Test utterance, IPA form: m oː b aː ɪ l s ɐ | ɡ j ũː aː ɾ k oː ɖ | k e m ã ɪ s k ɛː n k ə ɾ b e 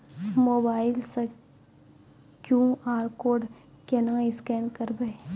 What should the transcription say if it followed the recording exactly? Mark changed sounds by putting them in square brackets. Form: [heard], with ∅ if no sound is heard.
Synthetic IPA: m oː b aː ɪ l s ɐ | [k] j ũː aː ɾ k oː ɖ | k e [n] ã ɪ s k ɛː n k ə ɾ b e